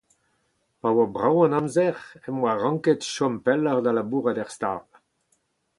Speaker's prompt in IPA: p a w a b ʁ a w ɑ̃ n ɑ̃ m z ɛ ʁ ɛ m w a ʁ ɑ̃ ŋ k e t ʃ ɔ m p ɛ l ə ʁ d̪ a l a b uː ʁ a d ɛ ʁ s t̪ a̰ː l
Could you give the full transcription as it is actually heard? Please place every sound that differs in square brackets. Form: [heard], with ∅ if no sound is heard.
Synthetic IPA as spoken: p a w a b ʁ a w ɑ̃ n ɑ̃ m z ɛ ʁ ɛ m w a ʁ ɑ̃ ŋ k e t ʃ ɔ m p ɛ l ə ʁ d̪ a l a b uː ʁ a d ɛ ʁ s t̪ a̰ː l